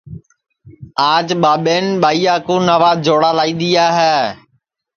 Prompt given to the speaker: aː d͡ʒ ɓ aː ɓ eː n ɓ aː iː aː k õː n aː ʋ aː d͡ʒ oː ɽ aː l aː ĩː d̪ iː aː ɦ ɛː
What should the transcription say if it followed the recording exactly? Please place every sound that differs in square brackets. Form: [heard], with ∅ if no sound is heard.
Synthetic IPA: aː d͡ʒ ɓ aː ɓ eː n ɓ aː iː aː k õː n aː ʋ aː d͡ʒ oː ɽ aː l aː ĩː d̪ iː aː ɦ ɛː